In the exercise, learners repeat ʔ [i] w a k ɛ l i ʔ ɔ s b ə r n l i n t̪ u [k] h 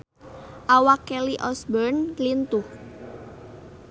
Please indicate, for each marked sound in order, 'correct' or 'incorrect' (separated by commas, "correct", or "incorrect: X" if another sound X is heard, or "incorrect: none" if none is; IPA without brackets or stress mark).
incorrect: a, incorrect: none